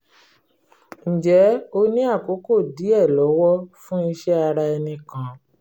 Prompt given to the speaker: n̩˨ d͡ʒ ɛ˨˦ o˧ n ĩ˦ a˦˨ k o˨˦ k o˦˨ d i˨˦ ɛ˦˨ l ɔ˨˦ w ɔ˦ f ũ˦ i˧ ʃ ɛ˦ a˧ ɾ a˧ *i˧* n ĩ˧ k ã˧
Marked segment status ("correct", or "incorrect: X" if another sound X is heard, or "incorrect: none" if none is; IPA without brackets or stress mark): incorrect: ɛ˧